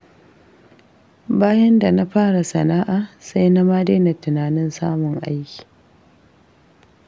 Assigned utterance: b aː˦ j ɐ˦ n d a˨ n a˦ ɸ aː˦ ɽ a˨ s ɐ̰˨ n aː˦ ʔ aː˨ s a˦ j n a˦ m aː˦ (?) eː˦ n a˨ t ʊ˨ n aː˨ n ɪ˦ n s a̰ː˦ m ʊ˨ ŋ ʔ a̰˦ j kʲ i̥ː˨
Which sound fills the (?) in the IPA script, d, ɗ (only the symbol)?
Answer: d